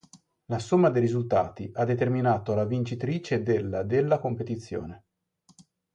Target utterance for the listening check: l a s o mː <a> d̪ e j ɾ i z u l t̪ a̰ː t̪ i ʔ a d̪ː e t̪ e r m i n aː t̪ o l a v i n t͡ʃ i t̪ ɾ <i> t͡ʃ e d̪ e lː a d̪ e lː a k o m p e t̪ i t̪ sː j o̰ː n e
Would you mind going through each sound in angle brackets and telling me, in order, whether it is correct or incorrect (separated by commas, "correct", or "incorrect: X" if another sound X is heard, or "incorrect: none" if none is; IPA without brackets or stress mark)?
correct, incorrect: iː